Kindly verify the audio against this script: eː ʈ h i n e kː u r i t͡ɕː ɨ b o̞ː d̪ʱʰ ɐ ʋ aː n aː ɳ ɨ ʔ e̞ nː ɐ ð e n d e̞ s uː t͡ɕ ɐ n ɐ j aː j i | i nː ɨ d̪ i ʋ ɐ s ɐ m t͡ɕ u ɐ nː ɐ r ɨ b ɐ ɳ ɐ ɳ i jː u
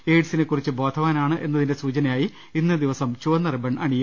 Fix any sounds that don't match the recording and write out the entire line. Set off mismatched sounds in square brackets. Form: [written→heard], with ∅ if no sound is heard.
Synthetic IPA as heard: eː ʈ [h→s] i n e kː u r i t͡ɕː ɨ b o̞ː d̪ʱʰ ɐ ʋ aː n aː ɳ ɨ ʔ e̞ nː ɐ ð [e→i] n d e̞ s uː t͡ɕ ɐ n ɐ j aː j i | i nː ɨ d̪ i ʋ ɐ s ɐ m t͡ɕ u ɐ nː ɐ r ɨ b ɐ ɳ ɐ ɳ i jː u